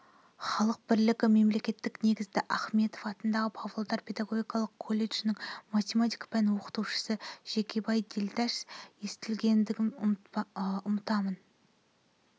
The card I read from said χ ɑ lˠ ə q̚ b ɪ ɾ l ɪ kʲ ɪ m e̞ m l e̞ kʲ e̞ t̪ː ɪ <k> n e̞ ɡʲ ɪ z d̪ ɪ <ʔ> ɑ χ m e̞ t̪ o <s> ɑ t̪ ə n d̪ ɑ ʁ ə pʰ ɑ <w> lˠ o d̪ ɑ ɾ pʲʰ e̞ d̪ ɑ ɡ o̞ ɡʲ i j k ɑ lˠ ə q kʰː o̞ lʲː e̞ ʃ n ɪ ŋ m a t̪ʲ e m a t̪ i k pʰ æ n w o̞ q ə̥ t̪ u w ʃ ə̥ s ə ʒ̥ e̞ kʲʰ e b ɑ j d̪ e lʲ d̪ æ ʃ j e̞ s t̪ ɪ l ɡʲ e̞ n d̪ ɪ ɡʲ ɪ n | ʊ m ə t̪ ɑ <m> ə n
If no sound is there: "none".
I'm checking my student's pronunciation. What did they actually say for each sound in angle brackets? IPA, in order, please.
k, ʔ, f, v, m

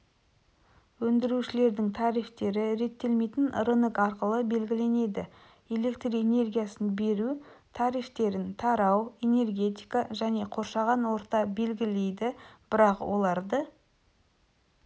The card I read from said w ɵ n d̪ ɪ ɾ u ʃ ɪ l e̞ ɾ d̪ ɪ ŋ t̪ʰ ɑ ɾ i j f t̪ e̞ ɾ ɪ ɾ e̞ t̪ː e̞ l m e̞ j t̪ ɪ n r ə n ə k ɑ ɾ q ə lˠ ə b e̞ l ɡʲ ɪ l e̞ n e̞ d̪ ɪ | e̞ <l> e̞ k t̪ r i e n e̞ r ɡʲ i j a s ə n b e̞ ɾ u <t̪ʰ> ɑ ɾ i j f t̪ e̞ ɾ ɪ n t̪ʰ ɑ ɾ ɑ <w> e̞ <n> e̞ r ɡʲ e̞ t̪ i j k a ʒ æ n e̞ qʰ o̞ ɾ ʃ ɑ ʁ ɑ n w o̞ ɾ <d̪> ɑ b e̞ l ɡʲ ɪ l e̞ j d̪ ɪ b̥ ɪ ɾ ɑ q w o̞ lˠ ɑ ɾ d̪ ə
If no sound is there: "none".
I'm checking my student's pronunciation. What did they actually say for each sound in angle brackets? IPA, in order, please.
l, t̪ʰ, w, n, t̪

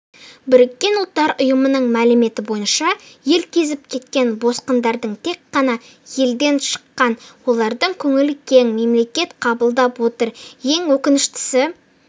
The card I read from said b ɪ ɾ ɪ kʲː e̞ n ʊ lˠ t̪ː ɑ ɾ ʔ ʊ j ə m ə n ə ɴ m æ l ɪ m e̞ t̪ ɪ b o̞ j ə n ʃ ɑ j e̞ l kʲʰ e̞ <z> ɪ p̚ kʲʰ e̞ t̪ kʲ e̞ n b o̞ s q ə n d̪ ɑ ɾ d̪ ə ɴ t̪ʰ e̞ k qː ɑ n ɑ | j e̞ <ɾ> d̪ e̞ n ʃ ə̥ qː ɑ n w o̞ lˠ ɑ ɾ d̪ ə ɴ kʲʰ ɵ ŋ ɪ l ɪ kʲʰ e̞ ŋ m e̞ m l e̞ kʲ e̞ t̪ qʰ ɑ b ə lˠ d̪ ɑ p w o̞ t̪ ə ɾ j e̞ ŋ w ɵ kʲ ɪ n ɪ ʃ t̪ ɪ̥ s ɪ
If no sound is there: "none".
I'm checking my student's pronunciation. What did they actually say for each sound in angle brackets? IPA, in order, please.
z, l

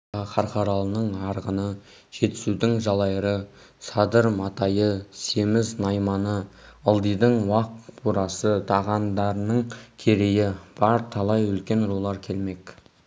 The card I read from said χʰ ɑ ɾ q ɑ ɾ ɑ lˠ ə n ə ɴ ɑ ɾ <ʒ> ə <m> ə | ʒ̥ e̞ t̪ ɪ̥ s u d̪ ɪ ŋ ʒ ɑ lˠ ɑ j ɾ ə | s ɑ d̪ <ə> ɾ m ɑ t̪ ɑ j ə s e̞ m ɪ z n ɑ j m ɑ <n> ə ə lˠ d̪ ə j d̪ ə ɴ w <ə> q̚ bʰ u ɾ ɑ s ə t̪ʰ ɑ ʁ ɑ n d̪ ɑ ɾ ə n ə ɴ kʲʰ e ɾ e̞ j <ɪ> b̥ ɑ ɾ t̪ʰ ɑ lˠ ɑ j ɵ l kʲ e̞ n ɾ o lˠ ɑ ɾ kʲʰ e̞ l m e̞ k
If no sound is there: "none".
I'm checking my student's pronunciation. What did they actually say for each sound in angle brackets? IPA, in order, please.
ʁ, n, ə, n, ɑ, ɪ

